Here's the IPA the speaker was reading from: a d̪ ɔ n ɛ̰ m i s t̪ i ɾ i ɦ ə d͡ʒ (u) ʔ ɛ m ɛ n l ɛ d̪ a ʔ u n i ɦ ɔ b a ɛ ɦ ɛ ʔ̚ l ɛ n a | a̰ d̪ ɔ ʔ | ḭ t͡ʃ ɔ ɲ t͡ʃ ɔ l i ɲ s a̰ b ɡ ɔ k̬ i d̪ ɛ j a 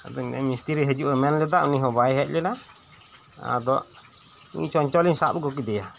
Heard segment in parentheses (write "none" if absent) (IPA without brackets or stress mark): u